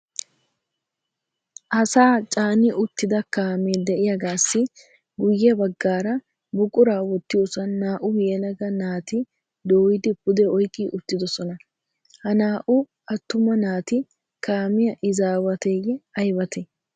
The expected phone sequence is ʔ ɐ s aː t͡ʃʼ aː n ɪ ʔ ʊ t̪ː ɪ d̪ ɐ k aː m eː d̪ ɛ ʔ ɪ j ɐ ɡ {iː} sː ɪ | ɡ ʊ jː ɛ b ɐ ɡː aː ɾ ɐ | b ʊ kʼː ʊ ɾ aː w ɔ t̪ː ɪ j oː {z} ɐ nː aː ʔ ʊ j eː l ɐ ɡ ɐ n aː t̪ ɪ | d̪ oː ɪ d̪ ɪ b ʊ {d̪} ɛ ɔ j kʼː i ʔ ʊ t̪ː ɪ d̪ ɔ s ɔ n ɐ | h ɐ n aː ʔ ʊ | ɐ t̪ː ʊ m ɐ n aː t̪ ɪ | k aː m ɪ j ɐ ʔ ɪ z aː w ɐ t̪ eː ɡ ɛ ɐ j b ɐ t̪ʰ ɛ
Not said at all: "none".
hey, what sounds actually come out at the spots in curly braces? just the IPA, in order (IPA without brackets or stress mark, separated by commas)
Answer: aː, s, d̪